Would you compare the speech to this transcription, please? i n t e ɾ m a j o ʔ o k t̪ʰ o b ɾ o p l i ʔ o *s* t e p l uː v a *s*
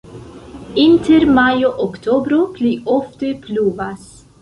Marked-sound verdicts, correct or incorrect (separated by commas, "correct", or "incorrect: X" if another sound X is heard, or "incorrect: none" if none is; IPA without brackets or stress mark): incorrect: f, correct